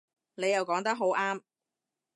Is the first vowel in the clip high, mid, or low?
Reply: mid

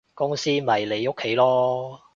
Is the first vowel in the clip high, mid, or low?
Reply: high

